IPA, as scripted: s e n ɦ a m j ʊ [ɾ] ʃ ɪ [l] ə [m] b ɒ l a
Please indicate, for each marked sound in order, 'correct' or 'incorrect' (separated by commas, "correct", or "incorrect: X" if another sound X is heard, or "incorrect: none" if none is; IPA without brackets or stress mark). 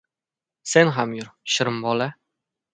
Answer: correct, incorrect: ɾ, correct